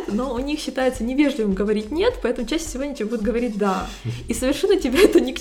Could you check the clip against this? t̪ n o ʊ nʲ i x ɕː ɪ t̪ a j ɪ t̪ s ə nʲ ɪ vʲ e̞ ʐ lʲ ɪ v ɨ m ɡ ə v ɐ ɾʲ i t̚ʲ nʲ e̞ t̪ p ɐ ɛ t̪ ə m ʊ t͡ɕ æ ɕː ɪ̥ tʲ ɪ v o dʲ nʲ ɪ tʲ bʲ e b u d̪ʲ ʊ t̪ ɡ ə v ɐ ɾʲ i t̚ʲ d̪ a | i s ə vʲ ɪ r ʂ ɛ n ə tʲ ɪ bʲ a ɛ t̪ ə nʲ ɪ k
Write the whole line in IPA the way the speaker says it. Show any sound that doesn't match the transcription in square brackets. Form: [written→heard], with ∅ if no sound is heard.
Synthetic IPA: t̪ n o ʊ nʲ i x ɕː ɪ t̪ a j ɪ t̪ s ə nʲ ɪ vʲ e̞ ʐ lʲ ɪ v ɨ m ɡ ə v ɐ ɾʲ i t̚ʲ nʲ e̞ t̪ p ɐ ɛ t̪ ə m ʊ t͡ɕ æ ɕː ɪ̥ [tʲ→sʲ] ɪ v o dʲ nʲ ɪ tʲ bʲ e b u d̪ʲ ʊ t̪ ɡ ə v ɐ ɾʲ i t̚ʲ d̪ a | i s ə vʲ ɪ r ʂ ɛ [n→nː] ə tʲ ɪ bʲ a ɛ t̪ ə nʲ ɪ k